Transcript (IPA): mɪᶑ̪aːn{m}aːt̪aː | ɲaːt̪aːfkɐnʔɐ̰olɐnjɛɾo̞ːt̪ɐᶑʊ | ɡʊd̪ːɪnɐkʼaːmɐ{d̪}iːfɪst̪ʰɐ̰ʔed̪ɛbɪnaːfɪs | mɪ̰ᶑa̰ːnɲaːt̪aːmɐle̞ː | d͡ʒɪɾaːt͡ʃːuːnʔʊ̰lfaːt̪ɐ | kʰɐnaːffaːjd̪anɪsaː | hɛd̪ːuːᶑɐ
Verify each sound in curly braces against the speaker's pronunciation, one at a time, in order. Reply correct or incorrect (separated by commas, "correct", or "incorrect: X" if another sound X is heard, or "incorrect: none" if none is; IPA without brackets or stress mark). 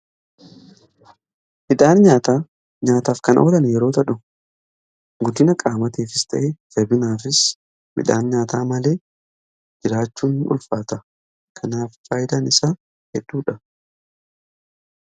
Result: incorrect: ɲ, incorrect: t̪